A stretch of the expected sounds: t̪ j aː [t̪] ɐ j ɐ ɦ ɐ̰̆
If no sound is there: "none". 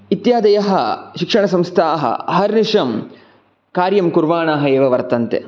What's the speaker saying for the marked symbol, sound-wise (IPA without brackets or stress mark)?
d̪